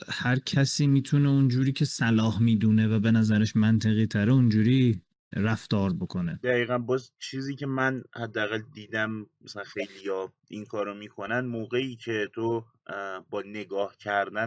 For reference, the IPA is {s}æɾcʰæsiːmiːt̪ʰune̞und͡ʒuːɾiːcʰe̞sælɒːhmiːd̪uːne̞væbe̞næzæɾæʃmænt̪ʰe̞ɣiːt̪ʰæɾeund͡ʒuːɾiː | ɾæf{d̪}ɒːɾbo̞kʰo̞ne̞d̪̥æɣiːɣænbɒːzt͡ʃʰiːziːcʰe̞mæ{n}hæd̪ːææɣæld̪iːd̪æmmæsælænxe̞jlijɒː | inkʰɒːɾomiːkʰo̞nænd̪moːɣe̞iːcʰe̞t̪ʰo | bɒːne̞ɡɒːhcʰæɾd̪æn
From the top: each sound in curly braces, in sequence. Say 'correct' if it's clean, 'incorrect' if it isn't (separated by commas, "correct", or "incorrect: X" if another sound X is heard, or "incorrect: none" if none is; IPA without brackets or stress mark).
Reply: incorrect: h, incorrect: t̪, correct